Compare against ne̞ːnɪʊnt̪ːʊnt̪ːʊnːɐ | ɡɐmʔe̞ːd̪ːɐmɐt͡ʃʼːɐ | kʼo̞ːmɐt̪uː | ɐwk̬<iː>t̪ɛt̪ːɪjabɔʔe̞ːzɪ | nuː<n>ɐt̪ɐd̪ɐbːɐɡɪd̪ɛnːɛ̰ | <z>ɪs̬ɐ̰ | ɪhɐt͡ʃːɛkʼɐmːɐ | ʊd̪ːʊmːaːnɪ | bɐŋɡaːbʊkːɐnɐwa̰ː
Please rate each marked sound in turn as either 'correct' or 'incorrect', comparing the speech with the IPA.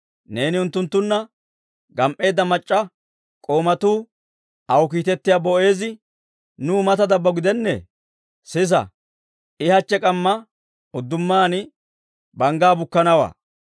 correct, incorrect, incorrect

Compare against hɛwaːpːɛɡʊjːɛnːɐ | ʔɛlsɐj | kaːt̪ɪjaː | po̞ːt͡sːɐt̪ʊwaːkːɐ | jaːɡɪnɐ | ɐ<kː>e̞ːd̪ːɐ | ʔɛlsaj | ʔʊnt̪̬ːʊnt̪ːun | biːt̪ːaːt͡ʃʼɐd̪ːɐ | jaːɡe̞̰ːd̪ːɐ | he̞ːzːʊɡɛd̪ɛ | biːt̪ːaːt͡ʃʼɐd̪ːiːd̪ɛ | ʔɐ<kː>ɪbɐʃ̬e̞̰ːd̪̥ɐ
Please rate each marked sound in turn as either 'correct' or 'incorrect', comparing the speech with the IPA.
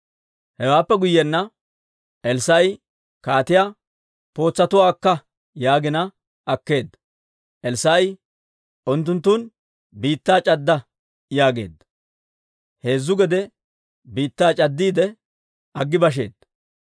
correct, incorrect

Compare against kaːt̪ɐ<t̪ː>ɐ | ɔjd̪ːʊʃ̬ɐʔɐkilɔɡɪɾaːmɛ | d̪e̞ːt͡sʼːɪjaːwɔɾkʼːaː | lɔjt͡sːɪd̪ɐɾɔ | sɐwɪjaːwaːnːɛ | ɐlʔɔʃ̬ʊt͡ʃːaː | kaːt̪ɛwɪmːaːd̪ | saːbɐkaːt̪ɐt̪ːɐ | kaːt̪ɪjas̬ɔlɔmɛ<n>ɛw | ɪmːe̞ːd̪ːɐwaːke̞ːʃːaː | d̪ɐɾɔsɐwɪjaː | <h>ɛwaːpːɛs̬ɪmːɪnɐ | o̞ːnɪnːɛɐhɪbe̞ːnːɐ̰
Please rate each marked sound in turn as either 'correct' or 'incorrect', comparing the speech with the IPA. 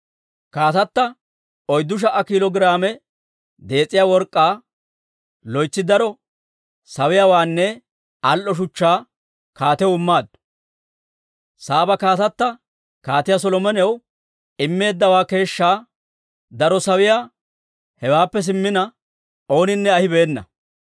correct, correct, correct

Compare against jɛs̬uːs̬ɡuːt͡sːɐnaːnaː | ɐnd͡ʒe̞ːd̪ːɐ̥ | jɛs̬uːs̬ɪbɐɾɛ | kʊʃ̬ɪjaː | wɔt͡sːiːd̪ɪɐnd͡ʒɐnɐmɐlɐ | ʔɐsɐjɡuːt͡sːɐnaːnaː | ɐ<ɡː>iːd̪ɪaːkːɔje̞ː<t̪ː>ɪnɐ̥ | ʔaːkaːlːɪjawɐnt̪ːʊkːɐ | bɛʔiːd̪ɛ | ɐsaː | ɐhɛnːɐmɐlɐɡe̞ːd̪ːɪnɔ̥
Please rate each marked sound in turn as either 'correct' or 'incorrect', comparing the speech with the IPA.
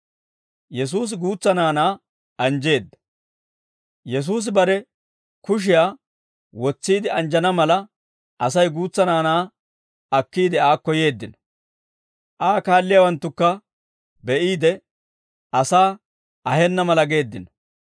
incorrect, incorrect

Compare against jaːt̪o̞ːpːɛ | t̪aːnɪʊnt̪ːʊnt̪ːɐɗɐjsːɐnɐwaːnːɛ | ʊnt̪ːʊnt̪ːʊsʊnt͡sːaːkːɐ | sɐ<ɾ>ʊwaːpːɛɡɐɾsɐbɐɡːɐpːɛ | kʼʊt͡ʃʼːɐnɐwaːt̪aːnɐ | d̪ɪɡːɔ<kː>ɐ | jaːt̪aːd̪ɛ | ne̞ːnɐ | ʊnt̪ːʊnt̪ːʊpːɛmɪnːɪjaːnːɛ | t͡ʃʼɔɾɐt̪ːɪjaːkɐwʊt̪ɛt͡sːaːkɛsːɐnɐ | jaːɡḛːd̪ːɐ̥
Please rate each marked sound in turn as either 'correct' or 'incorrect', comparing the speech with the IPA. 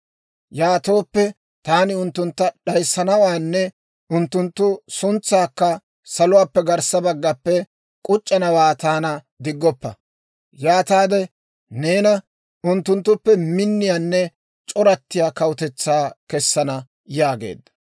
incorrect, incorrect

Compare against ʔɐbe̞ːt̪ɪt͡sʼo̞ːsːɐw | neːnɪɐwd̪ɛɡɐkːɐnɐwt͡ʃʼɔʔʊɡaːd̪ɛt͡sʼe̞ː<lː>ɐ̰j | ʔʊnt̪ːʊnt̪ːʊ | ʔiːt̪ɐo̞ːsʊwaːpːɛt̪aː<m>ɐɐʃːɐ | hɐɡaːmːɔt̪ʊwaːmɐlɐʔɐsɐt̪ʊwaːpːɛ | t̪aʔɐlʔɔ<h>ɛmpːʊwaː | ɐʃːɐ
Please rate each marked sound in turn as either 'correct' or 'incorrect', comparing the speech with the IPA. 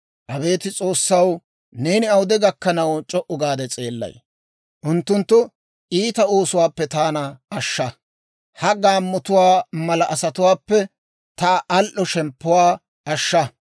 correct, incorrect, incorrect

